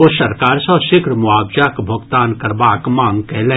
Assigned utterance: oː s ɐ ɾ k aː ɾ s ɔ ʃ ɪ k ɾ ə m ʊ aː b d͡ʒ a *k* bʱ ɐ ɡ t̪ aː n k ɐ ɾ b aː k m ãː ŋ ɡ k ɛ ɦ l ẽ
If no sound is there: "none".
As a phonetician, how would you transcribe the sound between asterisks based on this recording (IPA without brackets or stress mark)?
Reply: k